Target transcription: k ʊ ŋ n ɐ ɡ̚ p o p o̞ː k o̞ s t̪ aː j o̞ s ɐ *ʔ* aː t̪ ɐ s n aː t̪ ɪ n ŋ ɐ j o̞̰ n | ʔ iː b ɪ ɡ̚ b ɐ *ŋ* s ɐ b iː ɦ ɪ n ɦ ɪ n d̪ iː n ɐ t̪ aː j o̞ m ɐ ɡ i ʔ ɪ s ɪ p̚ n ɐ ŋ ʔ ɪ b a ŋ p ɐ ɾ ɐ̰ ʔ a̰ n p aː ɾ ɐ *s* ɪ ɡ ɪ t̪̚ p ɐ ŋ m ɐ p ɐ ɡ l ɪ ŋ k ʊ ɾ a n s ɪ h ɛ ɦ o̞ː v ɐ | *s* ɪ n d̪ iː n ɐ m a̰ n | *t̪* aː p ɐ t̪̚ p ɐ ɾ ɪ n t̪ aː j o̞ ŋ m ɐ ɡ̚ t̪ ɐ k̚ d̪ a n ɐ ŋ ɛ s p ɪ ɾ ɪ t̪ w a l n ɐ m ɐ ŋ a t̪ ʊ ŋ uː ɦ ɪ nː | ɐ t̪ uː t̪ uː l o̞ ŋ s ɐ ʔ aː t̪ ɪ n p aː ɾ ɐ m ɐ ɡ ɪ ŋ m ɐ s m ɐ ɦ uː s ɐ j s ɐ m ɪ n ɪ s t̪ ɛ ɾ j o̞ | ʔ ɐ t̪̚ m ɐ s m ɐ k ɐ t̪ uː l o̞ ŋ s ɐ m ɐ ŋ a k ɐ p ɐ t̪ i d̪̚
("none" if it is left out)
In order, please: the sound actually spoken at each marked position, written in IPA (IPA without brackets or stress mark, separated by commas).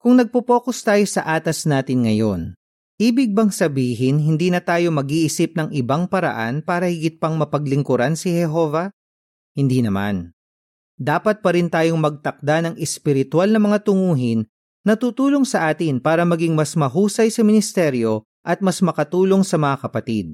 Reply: ʔ, ŋ, h, h, d̪